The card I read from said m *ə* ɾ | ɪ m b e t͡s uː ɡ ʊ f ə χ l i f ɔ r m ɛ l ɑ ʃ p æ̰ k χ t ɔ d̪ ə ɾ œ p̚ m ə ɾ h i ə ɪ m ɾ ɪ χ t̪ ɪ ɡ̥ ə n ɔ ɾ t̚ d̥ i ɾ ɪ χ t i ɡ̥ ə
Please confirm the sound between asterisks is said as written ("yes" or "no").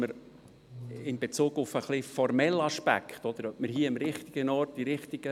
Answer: yes